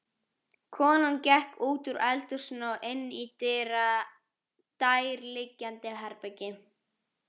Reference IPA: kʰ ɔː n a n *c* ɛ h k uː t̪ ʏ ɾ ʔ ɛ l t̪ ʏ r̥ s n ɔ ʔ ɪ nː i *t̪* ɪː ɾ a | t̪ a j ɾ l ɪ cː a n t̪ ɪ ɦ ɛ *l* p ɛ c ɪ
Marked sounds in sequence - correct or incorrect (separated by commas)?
correct, correct, incorrect